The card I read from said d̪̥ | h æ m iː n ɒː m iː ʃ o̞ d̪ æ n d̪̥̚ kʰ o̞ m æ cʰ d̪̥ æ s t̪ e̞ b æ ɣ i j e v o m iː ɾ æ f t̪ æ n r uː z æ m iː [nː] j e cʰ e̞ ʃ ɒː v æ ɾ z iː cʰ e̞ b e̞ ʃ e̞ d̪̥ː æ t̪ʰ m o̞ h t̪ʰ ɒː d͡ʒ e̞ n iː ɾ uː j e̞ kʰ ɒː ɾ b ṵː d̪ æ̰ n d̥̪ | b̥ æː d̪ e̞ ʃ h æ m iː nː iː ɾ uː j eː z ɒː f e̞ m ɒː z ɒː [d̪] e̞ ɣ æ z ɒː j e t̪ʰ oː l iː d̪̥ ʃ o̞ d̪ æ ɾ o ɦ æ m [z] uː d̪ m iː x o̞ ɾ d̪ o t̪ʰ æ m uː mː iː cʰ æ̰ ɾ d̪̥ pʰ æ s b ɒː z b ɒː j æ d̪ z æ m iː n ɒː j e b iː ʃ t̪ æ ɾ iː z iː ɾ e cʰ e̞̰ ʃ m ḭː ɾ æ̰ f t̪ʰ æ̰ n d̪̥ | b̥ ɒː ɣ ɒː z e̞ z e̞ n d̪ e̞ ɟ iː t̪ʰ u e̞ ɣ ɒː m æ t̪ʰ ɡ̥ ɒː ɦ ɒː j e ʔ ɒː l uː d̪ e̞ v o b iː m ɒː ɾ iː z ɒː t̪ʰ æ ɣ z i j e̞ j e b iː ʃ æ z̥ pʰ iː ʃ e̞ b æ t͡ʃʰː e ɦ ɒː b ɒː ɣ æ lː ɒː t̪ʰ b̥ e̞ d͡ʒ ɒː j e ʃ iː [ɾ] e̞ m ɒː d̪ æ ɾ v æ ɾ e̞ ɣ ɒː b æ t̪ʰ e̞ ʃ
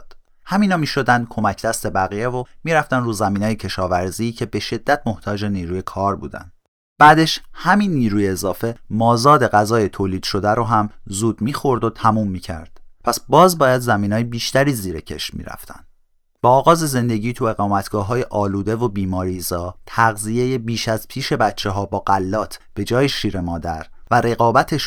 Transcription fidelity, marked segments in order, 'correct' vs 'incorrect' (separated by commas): correct, correct, correct, correct